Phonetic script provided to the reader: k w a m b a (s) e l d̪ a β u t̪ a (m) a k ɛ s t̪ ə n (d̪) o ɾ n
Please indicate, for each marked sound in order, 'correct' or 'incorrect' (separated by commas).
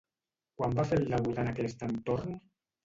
incorrect, incorrect, incorrect